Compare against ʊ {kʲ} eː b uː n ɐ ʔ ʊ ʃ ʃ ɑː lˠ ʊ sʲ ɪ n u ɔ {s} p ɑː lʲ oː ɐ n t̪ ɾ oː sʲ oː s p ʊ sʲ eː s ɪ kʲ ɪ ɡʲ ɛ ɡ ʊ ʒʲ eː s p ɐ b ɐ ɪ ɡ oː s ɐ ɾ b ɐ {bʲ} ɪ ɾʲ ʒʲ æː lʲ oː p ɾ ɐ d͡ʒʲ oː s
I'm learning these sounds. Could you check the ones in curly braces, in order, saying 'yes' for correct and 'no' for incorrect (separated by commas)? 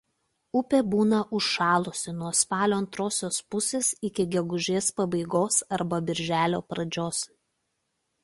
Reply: no, yes, yes